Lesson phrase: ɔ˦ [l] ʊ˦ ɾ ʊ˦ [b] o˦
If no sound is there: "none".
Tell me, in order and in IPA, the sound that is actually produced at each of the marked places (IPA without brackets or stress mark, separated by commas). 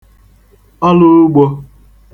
l, ɡ͡b